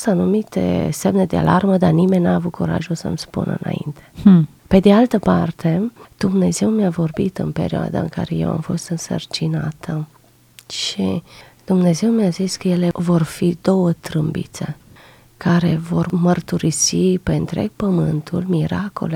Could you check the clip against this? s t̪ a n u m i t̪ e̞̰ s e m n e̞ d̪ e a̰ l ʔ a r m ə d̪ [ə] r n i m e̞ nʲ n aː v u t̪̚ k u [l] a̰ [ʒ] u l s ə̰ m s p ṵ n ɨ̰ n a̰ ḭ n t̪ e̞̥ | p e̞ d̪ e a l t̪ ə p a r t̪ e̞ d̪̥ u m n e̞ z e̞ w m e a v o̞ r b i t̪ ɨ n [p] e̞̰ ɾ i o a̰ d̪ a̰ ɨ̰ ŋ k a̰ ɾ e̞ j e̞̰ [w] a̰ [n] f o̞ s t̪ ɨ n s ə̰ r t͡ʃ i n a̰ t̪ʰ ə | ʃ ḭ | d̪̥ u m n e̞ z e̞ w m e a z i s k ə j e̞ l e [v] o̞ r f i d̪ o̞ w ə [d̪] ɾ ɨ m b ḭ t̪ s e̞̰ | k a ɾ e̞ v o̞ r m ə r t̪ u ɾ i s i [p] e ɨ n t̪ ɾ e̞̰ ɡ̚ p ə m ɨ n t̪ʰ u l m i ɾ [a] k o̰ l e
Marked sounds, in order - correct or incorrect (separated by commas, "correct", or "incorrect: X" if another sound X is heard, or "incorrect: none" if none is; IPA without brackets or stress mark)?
incorrect: a, incorrect: ɾ, correct, correct, correct, incorrect: m, correct, incorrect: t̪, correct, correct